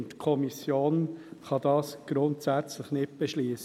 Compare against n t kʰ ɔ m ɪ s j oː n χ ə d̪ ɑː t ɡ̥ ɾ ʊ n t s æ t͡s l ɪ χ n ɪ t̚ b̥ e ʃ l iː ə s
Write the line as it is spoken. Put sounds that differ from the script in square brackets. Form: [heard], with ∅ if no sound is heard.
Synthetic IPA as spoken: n t kʰ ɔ m [i] s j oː n χ [ɑ] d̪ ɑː [s] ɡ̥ ɾ ʊ n t s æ t͡s l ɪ χ n ɪ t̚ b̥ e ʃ l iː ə s